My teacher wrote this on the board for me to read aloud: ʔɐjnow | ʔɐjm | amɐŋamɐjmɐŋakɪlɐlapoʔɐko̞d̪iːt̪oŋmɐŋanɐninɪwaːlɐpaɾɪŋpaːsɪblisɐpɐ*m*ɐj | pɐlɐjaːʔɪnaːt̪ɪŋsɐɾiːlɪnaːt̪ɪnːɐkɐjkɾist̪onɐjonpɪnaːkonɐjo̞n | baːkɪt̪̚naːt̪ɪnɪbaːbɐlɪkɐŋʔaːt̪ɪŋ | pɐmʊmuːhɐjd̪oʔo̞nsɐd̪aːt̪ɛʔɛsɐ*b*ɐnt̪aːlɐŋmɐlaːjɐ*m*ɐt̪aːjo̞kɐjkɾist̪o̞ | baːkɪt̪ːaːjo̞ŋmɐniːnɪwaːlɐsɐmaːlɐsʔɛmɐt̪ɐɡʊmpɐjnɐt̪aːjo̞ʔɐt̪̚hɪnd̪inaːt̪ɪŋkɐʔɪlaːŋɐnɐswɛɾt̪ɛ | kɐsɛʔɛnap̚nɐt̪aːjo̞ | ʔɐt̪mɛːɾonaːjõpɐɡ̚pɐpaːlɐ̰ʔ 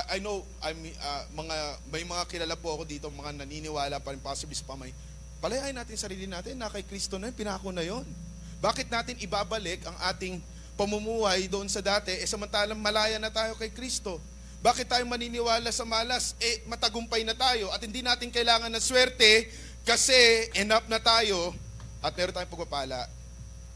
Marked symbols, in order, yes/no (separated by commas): yes, no, no